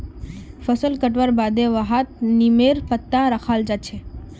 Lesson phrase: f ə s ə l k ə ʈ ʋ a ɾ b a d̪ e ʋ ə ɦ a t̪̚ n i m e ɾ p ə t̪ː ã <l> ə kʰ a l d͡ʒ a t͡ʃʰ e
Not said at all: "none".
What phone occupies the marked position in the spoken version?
ɾ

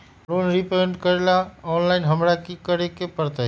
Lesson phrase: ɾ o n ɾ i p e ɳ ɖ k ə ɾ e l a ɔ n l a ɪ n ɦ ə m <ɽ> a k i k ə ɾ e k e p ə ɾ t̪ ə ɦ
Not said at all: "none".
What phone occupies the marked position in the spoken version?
ɾ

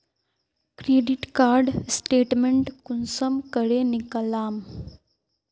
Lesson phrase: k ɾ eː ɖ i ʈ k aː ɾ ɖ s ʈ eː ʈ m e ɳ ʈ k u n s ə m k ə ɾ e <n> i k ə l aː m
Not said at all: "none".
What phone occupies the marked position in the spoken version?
n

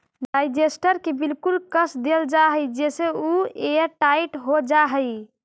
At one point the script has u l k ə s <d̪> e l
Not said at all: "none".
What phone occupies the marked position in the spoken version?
d̪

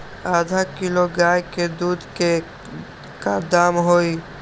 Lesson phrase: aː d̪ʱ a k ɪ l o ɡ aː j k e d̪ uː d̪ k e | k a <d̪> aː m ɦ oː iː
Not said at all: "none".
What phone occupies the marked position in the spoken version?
d̪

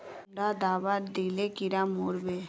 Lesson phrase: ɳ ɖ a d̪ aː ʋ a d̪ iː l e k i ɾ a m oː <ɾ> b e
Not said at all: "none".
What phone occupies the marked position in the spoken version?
ɾ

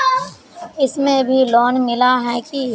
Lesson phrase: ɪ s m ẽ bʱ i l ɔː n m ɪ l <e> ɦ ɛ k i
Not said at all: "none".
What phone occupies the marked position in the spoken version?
a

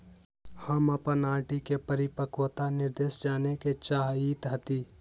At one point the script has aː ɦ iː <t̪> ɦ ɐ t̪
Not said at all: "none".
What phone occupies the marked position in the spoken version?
t̪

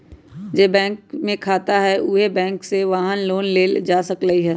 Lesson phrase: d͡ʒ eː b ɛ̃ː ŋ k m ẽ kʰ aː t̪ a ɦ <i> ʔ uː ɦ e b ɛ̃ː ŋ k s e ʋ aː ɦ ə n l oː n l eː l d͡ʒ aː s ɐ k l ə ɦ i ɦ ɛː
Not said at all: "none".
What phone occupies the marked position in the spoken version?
ɛ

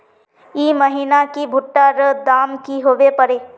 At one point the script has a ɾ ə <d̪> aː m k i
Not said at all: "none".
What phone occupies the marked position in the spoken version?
d̪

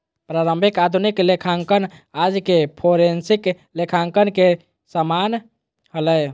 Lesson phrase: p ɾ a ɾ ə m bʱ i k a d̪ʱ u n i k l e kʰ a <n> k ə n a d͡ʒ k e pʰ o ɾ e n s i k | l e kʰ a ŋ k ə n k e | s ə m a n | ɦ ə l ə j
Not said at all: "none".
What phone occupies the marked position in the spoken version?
ŋ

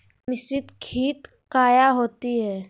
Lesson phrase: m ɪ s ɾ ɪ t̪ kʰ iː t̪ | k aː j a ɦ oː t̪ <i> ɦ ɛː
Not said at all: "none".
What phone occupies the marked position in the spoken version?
i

